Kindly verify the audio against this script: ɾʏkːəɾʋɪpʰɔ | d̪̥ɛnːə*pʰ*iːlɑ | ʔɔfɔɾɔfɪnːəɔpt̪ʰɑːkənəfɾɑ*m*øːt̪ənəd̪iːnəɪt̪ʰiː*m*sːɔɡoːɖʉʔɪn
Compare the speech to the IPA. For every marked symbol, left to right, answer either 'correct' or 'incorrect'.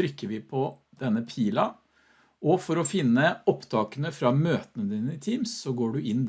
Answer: correct, correct, correct

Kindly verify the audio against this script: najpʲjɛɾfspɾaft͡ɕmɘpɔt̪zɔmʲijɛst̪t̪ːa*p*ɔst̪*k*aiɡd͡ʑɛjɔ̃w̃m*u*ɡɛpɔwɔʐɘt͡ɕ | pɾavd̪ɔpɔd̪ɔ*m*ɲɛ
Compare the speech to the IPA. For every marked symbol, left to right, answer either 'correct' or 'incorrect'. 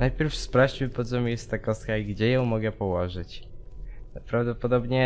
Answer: incorrect: k, correct, incorrect: ɔ, incorrect: b

